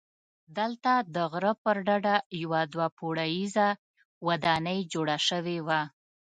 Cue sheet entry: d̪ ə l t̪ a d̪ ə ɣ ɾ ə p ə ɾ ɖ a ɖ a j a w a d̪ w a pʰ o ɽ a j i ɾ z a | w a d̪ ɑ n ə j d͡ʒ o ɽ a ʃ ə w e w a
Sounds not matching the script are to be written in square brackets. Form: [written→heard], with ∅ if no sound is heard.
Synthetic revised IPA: d̪ ə l t̪ a d̪ ə ɣ ɾ ə p ə ɾ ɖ a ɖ a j a w a d̪ w a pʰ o ɽ a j i [ɾ→∅] z a | w a d̪ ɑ n ə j d͡ʒ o ɽ a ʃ ə w e w a